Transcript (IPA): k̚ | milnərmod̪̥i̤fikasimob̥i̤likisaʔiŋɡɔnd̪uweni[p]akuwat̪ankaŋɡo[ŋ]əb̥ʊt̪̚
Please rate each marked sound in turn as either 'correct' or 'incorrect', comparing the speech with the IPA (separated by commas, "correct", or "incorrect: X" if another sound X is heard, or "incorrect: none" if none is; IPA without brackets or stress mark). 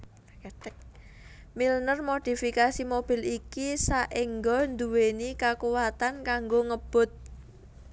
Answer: incorrect: k, correct